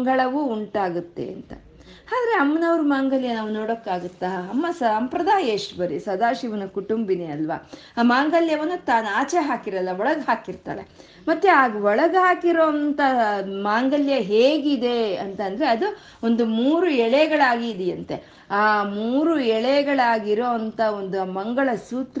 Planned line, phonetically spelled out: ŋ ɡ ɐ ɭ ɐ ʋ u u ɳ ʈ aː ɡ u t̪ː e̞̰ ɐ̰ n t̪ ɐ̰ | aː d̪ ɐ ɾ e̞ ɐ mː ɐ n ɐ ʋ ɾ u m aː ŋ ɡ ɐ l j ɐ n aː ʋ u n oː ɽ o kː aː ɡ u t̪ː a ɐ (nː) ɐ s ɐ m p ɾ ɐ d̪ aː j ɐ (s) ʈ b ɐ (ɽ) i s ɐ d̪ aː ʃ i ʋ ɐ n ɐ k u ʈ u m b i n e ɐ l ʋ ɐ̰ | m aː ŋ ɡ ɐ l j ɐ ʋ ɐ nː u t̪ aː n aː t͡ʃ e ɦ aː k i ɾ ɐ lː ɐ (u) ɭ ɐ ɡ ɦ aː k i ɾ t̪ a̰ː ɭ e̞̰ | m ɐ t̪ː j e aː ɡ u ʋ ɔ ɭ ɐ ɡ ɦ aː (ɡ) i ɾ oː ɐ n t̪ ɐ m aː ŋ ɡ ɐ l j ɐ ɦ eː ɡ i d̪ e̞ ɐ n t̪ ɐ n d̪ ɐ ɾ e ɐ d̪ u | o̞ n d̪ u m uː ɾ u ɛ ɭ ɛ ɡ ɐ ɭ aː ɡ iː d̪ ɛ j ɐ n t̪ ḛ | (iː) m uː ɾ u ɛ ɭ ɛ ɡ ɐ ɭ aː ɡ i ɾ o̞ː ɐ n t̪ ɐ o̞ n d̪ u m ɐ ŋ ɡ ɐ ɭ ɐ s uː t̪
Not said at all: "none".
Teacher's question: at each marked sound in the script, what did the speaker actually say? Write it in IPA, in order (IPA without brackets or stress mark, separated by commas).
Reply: mː, ʂ, ɾ, ɔ, k, aː